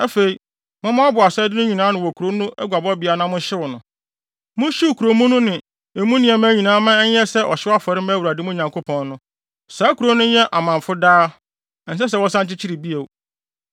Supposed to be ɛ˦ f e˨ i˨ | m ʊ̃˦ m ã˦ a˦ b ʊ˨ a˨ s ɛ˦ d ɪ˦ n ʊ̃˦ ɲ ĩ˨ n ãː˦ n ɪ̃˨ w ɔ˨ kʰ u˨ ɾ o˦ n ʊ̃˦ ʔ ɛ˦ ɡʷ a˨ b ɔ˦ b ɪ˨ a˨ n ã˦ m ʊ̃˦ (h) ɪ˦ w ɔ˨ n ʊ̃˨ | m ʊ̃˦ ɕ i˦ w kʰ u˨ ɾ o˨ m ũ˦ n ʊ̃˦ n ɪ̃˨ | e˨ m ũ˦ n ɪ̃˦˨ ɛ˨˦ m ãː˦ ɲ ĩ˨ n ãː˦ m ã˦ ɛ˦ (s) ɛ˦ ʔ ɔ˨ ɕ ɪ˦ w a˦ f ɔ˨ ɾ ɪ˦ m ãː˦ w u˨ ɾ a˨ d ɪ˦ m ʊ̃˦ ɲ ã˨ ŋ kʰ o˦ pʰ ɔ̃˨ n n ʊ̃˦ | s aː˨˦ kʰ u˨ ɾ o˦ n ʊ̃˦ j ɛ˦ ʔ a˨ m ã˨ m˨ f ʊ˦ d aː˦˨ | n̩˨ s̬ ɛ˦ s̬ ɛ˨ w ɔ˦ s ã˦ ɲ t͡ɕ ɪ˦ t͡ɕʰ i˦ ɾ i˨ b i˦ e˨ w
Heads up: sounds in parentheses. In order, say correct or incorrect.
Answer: incorrect: ɕ, correct

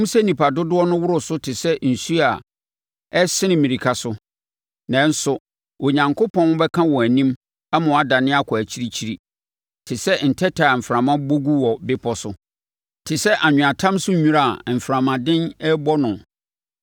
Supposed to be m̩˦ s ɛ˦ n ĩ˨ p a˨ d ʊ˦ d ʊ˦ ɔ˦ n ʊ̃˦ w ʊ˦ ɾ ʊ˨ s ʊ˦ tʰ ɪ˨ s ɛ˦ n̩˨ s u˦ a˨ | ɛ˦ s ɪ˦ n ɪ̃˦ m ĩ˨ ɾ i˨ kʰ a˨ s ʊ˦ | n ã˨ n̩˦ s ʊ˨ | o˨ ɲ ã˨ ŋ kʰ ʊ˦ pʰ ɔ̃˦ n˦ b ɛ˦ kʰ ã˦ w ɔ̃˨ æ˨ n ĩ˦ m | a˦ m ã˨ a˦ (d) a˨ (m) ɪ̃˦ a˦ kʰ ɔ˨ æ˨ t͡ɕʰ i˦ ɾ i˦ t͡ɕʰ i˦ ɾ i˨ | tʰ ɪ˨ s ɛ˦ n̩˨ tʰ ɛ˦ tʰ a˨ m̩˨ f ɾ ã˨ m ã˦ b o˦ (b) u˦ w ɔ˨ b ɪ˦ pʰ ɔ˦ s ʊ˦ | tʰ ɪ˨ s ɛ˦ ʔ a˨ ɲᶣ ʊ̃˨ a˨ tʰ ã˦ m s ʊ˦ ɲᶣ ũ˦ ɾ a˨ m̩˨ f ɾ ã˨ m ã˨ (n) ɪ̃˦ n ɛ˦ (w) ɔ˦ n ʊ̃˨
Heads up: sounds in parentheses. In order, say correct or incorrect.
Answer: correct, incorrect: n, incorrect: ɡ, incorrect: d, incorrect: b

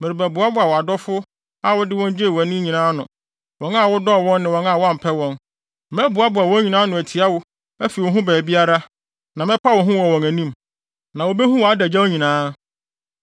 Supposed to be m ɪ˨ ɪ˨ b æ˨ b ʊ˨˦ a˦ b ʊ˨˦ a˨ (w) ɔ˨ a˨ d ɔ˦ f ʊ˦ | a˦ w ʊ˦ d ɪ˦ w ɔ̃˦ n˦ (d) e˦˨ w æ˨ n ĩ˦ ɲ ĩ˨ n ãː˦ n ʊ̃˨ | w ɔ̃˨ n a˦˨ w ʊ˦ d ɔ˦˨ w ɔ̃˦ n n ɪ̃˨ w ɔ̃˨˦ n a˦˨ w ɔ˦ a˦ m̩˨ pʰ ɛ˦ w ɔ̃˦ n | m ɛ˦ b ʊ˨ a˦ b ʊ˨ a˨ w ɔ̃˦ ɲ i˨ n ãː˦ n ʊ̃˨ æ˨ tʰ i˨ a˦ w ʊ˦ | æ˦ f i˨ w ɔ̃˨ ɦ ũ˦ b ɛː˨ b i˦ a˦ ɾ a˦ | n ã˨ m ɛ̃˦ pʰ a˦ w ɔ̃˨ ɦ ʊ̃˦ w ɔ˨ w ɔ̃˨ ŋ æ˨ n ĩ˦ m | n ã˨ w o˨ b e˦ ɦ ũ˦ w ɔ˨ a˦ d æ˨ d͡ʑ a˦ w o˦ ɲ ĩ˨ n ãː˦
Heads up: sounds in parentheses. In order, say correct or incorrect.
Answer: correct, incorrect: d͡ʑ

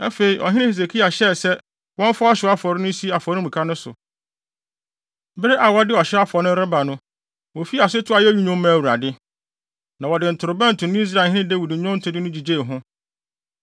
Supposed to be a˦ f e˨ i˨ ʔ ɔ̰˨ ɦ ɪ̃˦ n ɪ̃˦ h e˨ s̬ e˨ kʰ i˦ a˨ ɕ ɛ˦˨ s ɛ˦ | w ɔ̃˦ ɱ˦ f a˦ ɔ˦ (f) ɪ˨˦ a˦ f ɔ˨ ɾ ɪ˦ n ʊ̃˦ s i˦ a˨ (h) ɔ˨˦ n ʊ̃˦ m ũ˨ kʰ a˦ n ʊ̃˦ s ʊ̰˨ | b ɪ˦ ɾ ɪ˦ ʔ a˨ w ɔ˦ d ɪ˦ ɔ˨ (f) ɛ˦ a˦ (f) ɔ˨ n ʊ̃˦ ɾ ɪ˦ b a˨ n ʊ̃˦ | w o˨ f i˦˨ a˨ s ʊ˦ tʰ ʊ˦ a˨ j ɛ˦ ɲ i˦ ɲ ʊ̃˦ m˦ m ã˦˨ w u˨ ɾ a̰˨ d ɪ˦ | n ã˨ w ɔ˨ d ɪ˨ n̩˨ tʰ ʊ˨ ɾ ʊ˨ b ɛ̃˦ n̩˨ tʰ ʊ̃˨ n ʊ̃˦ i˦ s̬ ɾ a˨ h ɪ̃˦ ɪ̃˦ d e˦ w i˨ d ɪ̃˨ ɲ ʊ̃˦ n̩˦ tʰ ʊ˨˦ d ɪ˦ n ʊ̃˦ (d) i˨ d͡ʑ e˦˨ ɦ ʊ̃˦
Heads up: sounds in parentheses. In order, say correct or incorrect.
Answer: incorrect: ɕ, incorrect: f, incorrect: ɕ, correct, incorrect: d͡ʑ

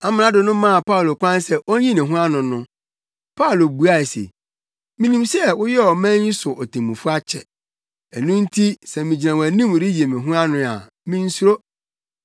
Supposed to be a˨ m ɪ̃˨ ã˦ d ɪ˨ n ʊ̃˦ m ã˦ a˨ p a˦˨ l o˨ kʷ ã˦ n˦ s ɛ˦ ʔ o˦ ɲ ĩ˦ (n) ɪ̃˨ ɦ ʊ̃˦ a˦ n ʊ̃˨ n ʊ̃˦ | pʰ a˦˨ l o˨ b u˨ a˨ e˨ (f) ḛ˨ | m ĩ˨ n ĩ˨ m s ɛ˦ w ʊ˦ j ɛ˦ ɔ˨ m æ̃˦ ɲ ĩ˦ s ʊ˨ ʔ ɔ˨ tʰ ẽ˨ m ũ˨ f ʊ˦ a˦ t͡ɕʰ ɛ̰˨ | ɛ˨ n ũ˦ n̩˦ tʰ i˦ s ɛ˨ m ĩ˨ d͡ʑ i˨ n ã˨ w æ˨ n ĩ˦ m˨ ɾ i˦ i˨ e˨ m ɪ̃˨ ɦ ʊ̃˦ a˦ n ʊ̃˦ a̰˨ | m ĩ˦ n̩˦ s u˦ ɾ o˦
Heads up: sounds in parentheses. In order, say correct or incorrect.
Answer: correct, incorrect: s

